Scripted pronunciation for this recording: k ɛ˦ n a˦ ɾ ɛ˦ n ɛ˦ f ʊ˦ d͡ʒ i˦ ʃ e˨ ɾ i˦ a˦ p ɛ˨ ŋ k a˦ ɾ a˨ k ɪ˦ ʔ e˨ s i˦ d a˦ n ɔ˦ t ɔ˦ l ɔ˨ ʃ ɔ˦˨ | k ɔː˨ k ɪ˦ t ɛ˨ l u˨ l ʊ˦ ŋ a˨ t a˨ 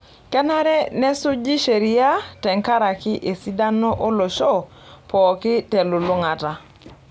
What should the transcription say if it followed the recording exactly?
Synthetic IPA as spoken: k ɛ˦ n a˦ ɾ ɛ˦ n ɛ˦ s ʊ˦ d͡ʒ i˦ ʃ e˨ ɾ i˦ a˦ t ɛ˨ ŋ k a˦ ɾ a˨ k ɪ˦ ʔ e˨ s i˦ d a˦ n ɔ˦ ʔ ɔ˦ l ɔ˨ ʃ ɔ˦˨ | p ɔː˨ k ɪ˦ t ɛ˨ l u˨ l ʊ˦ ŋ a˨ t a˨